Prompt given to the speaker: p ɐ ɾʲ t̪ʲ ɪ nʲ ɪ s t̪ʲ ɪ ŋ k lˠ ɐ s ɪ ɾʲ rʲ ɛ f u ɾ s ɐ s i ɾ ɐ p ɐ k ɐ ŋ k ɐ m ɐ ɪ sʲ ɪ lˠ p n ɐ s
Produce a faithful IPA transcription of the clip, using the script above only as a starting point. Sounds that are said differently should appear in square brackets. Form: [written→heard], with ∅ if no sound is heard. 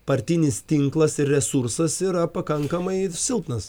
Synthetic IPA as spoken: p ɐ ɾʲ t̪ʲ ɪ nʲ ɪ s t̪ʲ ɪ ŋ k lˠ ɐ s ɪ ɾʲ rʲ ɛ [f→s] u ɾ s ɐ s i ɾ ɐ p ɐ k ɐ ŋ k ɐ m ɐ ɪ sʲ ɪ lˠ p n ɐ s